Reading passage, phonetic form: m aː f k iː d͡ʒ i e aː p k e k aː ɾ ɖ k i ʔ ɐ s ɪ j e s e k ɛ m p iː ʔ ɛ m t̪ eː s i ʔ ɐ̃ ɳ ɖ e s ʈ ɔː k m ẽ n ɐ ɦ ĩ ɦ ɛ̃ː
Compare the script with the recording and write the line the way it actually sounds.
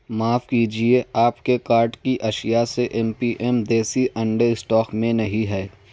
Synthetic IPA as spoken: m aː f k iː d͡ʒ i e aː p k e k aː ɾ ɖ k i ʔ ɐ ʃ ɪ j a s e ʔ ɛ m p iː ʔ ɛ m d̪ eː s i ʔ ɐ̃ ɳ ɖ e s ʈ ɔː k m ẽ n ɐ ɦ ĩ ɦ ɛː